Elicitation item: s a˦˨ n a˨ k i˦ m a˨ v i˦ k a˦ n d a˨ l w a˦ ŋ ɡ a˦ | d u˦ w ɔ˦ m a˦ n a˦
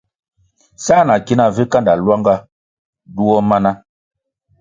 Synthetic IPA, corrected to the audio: s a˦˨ n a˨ k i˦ n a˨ v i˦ k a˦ n d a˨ l w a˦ ŋ ɡ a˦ | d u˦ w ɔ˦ m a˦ n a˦